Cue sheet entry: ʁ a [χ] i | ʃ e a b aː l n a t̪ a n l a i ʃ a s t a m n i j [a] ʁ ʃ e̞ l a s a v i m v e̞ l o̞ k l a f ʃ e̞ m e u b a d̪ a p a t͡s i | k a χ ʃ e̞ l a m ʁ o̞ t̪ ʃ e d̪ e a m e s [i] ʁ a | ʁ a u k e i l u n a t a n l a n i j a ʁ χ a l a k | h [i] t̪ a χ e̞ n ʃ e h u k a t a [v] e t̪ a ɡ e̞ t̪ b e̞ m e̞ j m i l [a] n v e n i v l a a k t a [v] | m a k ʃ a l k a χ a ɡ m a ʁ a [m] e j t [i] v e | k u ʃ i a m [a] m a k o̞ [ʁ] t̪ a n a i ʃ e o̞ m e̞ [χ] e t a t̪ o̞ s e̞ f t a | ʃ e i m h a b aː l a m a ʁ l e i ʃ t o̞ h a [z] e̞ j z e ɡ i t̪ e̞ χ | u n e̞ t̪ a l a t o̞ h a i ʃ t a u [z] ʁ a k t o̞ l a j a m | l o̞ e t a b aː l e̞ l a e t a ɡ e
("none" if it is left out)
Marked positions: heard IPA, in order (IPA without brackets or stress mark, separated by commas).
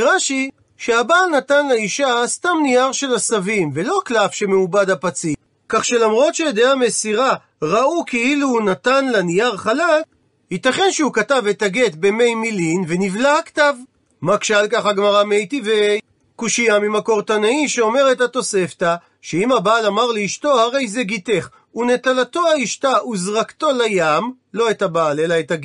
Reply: ʃ, a, i, i, v, i, v, m, i, i, ʁ, ʁ, ʁ, z